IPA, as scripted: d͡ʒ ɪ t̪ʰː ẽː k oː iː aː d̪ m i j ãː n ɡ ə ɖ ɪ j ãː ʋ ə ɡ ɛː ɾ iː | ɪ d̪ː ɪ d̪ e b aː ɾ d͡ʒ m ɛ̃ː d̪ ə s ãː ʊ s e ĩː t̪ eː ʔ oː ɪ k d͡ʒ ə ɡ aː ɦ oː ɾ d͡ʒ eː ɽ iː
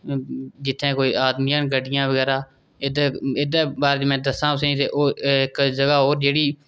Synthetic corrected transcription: d͡ʒ ɪ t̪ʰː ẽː k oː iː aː d̪ m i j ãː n ɡ ə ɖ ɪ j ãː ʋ ə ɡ ɛː ɾ aː | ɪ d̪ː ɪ d̪ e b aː ɾ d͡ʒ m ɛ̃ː d̪ ə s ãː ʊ s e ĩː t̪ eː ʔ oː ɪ k d͡ʒ ə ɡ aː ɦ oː ɾ d͡ʒ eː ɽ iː